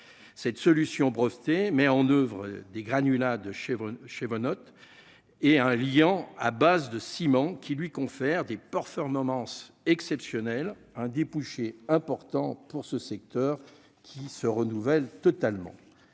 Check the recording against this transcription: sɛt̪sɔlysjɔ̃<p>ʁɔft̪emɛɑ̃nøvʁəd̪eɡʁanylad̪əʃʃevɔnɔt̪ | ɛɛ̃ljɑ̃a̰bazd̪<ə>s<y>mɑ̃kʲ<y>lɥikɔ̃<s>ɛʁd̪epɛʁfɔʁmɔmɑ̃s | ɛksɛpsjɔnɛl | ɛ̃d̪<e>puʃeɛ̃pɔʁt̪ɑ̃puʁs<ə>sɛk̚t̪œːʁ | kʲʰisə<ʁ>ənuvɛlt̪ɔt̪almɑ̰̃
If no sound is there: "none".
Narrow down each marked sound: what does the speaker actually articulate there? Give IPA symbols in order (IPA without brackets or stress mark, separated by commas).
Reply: b, ə, i, i, f, e, ə, ʁ